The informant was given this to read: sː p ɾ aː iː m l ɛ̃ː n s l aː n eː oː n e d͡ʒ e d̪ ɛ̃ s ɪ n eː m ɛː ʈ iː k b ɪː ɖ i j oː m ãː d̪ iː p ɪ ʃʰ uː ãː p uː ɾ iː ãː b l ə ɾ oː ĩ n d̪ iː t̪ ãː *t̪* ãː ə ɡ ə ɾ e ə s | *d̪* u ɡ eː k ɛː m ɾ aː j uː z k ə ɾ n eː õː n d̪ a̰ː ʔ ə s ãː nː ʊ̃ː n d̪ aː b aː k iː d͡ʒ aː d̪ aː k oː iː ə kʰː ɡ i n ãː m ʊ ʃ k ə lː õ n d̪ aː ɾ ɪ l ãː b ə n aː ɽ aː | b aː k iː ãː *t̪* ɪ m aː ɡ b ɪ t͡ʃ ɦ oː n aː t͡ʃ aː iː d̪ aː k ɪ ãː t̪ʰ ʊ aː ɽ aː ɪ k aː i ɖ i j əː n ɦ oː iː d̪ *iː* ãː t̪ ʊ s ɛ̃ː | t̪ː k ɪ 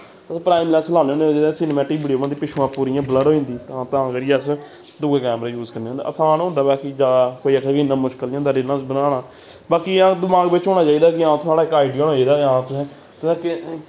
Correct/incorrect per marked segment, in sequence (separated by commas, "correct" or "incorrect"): correct, correct, incorrect, incorrect